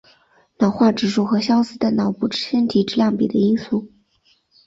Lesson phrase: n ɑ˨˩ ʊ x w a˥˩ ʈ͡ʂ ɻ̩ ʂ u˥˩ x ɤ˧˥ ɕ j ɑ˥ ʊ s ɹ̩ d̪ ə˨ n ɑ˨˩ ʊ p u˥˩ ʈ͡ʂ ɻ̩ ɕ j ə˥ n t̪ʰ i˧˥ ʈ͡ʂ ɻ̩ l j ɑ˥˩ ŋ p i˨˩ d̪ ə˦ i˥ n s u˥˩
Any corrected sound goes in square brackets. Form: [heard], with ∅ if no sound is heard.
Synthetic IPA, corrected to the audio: n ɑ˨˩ ʊ x w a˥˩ ʈ͡ʂ ɻ̩ ʂ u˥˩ x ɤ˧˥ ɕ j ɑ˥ ʊ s ɹ̩ d̪ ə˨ n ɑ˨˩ ʊ p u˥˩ ʈ͡ʂ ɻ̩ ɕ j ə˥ n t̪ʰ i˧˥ ʈ͡ʂ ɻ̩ l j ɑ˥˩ ŋ p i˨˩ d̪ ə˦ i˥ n s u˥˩